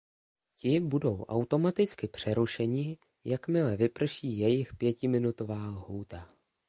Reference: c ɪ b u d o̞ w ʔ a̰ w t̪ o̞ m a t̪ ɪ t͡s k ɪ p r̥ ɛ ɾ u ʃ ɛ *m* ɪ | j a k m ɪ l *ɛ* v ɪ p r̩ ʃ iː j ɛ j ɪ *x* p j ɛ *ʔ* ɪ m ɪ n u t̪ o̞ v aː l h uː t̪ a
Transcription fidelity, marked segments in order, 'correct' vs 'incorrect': incorrect, correct, correct, incorrect

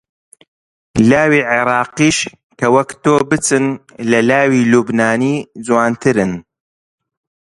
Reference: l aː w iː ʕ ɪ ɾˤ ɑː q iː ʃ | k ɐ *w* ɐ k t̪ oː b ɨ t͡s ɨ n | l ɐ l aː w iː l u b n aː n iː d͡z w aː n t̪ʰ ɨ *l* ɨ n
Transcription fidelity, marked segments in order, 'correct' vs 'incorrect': correct, incorrect

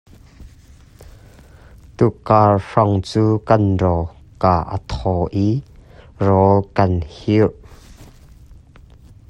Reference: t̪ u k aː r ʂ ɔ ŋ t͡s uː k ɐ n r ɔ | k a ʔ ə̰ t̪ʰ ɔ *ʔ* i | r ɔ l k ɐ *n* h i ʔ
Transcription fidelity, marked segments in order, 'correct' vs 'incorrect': correct, correct

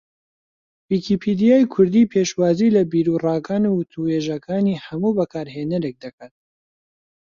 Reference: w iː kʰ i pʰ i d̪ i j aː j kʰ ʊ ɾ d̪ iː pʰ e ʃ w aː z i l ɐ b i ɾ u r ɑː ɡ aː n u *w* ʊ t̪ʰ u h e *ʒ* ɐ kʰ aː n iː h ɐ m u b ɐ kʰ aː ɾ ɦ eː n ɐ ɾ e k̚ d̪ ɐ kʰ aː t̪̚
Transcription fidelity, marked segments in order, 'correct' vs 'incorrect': correct, correct

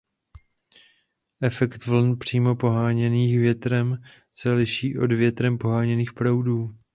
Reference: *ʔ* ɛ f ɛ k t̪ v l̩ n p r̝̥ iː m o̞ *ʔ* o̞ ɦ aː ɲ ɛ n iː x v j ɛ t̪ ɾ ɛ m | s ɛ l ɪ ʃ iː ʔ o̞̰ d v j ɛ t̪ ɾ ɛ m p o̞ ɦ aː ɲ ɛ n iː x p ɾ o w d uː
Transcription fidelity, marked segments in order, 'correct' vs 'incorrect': correct, incorrect

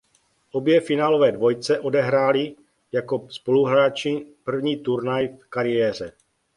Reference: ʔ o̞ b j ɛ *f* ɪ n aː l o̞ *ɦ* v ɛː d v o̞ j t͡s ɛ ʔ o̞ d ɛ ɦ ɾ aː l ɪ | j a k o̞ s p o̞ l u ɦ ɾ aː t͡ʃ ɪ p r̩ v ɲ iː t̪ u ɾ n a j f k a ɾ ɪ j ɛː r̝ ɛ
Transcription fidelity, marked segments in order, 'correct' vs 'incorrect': correct, incorrect

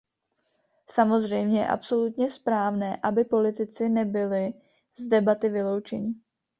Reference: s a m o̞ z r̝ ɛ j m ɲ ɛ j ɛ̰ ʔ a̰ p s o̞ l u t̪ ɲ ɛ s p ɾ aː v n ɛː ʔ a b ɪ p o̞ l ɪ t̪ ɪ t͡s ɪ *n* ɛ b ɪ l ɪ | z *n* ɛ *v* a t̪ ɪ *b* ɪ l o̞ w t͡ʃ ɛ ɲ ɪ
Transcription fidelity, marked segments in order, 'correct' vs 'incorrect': correct, incorrect, incorrect, incorrect

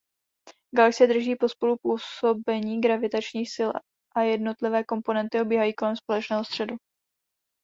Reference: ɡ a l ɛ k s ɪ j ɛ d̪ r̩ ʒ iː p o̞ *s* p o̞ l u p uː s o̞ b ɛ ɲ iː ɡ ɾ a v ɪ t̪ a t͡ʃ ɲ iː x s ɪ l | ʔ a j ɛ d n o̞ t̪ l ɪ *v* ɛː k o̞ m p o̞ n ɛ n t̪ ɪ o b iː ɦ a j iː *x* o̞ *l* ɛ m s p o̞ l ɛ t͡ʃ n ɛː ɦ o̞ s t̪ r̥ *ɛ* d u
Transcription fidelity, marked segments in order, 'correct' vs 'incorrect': correct, correct, incorrect, correct, correct

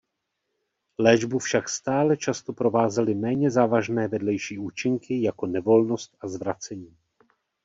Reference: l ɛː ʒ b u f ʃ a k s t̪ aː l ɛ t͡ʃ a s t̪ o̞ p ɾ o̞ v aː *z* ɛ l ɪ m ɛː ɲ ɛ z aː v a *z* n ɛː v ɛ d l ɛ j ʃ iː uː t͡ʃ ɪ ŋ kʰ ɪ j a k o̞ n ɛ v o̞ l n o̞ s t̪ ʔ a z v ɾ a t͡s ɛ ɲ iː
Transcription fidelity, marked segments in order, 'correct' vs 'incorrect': correct, incorrect

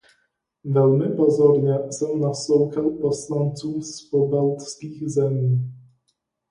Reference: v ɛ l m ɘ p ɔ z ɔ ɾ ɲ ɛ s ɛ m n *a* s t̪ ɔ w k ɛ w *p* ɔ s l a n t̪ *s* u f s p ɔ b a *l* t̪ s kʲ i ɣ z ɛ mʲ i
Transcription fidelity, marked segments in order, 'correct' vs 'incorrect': correct, correct, correct, correct

